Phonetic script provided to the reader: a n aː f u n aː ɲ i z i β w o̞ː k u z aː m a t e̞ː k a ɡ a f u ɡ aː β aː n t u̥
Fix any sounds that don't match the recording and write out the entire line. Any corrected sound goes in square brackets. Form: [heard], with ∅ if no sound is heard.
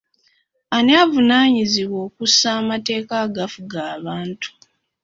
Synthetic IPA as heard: a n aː [v] u n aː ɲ i z i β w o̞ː k u [s] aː m a t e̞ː k a ɡ a f u ɡ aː β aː n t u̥